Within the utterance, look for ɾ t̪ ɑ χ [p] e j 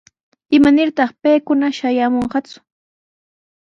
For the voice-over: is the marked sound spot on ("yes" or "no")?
yes